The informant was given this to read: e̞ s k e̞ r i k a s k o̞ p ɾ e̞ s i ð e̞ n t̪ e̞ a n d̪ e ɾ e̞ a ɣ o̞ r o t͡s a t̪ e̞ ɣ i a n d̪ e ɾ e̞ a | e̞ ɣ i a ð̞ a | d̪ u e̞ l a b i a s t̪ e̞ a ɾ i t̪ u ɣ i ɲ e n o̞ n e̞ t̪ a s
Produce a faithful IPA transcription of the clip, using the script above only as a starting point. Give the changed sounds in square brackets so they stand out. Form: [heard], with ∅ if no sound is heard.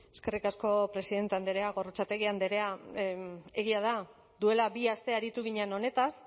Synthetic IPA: e̞ s k e̞ r i k a s k o̞ p ɾ e̞ s i ð e̞ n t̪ e̞ a n d̪ e ɾ e̞ a ɣ o̞ r o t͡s a t̪ e̞ ɣ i a n d̪ e ɾ e̞ a | e̞ ɣ i a ð̞ a | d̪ u e̞ l a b i a s t̪ e̞ a ɾ i t̪ u ɣ i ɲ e n o̞ n e̞ t̪ a s